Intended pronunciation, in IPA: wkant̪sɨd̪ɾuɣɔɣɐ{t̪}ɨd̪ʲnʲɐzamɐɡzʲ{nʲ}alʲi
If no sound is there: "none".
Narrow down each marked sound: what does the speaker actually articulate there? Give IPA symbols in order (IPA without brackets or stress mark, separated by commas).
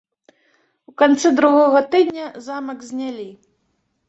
t̪, nʲ